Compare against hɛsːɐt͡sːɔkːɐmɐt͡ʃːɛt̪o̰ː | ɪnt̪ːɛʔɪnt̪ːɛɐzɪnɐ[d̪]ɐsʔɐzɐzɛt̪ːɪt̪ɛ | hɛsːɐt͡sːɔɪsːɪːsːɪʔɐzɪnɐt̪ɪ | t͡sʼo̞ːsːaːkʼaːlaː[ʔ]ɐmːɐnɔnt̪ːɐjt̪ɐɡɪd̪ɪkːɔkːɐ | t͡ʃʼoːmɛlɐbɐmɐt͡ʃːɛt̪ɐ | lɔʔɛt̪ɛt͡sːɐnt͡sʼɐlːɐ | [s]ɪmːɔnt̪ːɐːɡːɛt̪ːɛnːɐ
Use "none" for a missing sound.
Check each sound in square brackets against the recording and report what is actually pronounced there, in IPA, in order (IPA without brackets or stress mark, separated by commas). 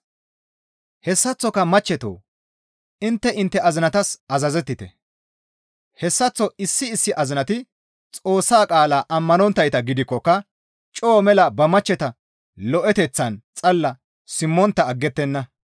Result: t̪, ʔ, s